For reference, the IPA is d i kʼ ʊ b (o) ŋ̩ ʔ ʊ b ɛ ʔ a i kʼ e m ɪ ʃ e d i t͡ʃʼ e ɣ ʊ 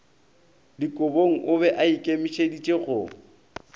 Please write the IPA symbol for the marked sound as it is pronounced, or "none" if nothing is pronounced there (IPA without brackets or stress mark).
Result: o